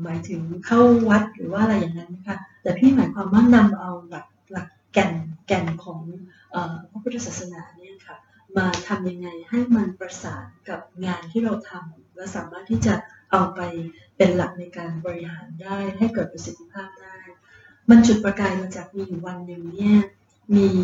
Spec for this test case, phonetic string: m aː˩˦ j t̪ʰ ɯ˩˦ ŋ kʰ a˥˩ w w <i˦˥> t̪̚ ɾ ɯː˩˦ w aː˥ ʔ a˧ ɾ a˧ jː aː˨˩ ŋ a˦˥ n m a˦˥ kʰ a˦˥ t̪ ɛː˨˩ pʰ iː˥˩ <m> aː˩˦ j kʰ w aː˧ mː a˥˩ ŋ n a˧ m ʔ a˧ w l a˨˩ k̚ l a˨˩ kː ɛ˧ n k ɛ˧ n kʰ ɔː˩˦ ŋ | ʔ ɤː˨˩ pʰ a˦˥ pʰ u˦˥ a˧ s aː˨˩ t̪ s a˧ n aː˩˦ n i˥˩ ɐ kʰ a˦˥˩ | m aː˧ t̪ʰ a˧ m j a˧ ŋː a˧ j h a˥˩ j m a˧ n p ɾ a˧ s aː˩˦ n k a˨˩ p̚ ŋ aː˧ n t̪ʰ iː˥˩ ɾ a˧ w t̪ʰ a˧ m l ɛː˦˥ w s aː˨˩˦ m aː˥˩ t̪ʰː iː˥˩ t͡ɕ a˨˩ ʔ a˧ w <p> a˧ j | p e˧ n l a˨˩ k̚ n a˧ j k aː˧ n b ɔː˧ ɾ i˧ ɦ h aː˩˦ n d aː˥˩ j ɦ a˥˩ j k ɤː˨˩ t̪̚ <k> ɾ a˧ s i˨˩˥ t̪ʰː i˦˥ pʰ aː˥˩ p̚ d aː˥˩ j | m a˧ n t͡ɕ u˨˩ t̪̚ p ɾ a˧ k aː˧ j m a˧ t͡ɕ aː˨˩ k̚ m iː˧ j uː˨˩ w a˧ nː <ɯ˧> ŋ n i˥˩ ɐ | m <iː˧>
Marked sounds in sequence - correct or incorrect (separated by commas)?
incorrect, correct, correct, incorrect, incorrect, correct